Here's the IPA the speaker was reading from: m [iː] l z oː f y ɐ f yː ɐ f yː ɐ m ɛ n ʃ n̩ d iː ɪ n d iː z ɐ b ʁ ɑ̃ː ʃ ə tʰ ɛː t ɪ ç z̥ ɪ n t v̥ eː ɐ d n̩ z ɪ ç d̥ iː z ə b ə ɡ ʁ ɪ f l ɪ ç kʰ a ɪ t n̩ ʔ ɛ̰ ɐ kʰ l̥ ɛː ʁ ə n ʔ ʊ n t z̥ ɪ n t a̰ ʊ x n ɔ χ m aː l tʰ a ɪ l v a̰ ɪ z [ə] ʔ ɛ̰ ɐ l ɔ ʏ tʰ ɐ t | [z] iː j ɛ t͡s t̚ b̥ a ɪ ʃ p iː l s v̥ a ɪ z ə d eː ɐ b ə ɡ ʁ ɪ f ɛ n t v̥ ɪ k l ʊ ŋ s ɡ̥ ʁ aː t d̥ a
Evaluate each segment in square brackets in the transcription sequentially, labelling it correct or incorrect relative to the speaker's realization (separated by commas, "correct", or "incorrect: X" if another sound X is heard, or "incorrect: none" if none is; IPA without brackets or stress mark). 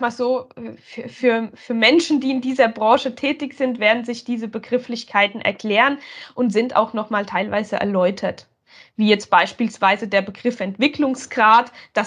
incorrect: aː, correct, incorrect: v